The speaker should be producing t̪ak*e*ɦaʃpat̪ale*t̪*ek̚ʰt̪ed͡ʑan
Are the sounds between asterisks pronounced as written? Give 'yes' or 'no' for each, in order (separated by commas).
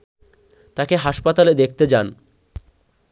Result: yes, no